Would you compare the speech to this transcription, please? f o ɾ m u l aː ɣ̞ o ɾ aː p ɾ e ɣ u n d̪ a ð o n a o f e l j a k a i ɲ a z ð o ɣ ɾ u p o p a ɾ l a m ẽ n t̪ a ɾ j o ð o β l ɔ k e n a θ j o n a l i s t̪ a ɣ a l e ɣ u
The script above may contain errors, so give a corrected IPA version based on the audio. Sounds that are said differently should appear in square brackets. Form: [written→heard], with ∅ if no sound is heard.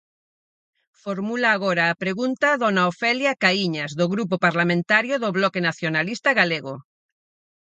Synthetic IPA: f o ɾ m u l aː ɣ̞ o ɾ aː p ɾ e ɣ u n [d̪→t̪] a ð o n a o f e l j a k a i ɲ a z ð o ɣ ɾ u p o p a ɾ l a m ẽ n t̪ a ɾ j o ð o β l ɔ k e n a θ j o n a l i s t̪ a ɣ a l e ɣ [u→o]